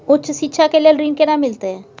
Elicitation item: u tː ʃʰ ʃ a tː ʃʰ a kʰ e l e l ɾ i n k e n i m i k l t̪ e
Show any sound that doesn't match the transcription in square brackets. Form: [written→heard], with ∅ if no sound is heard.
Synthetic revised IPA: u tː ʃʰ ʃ [a→i] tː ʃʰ a [kʰ→k] e l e l ɾ i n k e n [i→a] m i [k→∅] l t̪ e